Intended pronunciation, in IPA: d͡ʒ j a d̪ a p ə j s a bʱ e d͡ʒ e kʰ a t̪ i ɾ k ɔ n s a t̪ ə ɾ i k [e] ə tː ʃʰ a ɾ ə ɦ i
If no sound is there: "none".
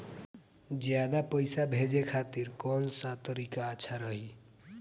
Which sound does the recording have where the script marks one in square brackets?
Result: a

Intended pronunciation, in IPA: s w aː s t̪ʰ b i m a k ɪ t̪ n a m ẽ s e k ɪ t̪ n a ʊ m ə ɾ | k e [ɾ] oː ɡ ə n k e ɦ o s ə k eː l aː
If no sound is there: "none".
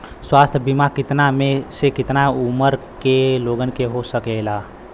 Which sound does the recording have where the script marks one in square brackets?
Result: l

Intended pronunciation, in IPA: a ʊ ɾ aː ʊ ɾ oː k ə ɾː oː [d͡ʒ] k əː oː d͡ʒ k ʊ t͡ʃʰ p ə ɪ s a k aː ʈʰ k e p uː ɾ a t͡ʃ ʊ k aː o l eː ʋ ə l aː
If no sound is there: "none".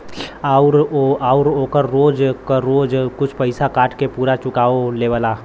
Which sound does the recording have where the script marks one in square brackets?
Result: d͡ʒ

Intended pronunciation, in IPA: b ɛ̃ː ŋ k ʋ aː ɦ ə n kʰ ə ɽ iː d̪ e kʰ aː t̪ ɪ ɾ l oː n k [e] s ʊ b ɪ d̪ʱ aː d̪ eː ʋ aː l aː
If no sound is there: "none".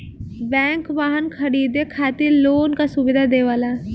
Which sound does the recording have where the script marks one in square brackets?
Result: a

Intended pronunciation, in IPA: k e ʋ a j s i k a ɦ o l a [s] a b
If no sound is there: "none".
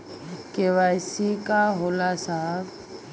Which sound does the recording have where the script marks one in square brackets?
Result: s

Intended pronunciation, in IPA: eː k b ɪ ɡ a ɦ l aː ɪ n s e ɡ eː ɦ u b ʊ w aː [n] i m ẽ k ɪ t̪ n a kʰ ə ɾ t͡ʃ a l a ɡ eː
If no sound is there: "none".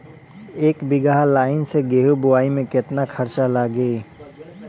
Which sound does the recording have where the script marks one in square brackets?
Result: none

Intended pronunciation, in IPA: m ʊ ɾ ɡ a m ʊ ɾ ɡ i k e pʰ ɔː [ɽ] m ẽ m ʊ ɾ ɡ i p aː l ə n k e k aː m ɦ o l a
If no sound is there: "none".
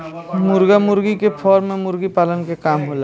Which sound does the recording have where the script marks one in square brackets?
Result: ɾ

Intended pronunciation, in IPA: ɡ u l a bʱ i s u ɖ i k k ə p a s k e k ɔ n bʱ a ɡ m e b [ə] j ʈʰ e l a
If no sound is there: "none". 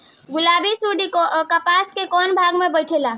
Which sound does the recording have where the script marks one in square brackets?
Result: ə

